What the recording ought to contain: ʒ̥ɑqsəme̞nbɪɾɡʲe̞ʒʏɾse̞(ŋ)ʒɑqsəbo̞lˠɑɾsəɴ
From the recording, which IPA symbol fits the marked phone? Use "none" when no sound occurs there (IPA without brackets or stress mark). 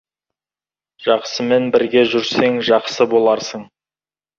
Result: ŋ